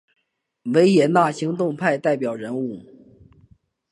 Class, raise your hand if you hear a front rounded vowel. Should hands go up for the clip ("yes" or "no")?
no